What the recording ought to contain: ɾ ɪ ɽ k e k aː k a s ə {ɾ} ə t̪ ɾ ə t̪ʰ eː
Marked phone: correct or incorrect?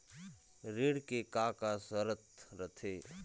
correct